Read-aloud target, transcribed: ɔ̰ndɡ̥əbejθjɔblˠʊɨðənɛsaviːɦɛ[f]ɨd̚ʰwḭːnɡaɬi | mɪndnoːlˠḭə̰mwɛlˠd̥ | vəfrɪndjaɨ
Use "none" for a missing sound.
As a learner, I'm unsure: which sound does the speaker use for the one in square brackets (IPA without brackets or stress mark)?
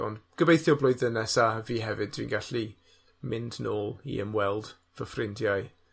v